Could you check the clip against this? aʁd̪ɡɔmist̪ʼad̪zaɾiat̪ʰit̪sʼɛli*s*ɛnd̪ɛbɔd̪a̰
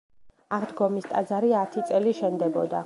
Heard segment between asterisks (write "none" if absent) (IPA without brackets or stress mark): ʃ